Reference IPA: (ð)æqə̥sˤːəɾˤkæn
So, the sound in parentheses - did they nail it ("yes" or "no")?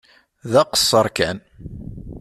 yes